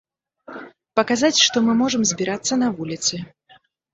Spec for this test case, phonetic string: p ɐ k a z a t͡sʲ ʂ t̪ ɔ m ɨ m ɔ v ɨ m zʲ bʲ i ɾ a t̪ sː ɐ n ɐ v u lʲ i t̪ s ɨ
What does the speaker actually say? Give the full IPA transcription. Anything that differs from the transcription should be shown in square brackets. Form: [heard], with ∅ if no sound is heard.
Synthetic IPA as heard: p ɐ k a z a t͡sʲ ʂ t̪ ɔ m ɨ m ɔ [ʐ] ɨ m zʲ bʲ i ɾ a t̪ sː ɐ n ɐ v u lʲ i t̪ s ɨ